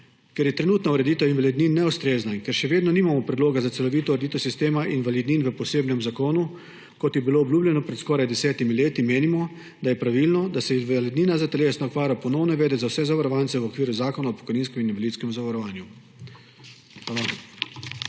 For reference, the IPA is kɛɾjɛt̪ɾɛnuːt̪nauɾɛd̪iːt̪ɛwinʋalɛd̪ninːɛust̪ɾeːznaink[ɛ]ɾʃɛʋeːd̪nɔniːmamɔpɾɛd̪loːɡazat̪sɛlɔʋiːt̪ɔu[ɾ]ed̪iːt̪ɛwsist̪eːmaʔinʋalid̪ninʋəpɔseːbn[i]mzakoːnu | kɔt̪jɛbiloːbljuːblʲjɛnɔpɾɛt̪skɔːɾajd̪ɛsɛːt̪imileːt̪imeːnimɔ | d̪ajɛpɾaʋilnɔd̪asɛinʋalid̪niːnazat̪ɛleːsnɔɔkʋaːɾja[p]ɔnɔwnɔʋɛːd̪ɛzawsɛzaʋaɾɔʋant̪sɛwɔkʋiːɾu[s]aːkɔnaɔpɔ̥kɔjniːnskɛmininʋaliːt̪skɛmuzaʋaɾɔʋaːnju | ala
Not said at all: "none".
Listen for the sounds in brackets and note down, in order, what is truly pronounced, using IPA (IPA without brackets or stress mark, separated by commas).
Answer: ɛ, ɾ, ɛ, p, z